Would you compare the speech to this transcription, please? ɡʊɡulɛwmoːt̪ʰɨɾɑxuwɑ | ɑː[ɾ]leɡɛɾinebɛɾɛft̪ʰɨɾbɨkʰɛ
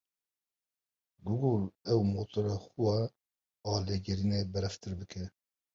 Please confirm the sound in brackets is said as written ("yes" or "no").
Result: no